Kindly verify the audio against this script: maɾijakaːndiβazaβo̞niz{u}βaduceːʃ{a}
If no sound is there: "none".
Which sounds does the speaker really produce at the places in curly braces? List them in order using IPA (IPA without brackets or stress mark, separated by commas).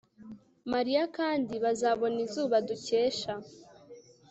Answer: uː, a